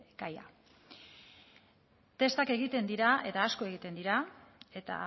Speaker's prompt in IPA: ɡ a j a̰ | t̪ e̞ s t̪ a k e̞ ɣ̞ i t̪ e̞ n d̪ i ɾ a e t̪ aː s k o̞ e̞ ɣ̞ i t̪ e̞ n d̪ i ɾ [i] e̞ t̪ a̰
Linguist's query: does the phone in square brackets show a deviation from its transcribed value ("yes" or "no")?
yes